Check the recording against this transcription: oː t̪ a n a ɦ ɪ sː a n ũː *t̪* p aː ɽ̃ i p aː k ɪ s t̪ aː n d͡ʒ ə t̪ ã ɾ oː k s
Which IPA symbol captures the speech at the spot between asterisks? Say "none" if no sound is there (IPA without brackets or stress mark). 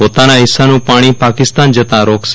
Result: none